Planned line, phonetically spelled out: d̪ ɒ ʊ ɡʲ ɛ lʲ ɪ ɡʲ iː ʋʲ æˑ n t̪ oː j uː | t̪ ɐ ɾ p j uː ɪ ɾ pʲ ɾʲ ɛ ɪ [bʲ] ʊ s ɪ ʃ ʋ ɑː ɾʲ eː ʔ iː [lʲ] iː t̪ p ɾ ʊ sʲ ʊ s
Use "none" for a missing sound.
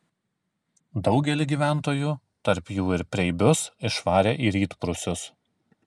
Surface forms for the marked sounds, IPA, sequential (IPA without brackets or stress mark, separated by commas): bʲ, ɾʲ